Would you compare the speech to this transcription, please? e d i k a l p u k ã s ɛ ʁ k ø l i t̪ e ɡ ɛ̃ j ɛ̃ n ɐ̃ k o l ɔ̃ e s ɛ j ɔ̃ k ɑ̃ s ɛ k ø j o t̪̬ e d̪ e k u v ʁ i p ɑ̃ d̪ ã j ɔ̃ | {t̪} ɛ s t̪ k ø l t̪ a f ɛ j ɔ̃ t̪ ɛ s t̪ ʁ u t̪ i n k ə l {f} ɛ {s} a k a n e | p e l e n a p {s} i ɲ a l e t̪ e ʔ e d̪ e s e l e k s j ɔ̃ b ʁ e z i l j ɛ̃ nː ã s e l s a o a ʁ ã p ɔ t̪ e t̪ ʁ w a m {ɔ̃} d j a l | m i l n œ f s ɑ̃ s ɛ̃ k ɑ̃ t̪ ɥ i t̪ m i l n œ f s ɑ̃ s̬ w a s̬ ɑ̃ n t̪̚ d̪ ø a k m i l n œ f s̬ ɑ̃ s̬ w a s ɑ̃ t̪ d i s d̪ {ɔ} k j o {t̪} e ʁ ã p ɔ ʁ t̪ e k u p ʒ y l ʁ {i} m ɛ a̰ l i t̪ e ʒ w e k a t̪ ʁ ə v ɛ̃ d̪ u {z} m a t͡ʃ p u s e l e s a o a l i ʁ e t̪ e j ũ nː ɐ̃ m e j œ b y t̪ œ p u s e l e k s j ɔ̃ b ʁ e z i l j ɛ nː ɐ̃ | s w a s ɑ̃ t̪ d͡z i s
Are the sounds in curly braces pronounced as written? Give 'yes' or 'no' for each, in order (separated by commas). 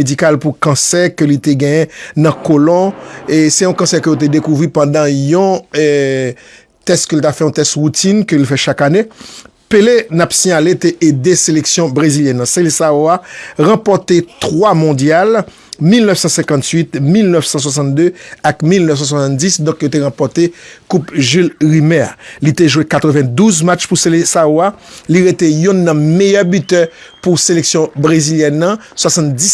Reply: yes, yes, no, yes, yes, no, yes, yes, yes